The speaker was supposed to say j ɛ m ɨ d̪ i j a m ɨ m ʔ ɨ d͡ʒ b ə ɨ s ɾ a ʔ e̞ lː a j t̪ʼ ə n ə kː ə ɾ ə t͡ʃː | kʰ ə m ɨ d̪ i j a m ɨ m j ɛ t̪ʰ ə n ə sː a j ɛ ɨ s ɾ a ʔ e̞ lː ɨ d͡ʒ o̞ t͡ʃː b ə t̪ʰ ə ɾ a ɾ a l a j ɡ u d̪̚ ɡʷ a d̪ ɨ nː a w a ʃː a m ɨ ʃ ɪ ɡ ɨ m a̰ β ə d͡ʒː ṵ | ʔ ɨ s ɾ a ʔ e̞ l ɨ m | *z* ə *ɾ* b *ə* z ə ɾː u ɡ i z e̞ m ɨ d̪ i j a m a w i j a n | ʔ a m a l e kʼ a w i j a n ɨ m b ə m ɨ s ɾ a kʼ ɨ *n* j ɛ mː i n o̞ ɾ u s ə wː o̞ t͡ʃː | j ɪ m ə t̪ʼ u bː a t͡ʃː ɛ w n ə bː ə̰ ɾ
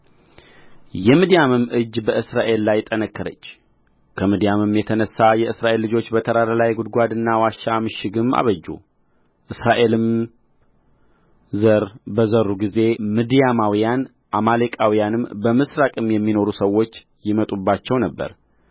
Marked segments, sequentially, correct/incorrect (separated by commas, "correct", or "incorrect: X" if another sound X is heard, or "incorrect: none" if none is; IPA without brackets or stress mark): correct, correct, correct, incorrect: m